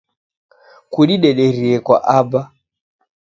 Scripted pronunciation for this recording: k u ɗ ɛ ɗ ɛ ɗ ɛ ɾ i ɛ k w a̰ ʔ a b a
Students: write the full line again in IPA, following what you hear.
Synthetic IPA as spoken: k u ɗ i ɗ ɛ ɗ ɛ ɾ i ɛ k w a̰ ʔ a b a

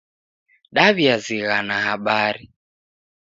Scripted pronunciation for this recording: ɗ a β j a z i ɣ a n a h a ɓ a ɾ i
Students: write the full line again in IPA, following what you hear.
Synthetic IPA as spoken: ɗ a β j a z i ɣ a n a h a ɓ a ɾ i

